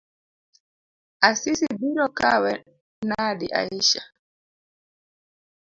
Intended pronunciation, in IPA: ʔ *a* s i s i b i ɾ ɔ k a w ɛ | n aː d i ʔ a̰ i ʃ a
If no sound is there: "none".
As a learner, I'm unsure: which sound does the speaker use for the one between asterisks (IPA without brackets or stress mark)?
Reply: a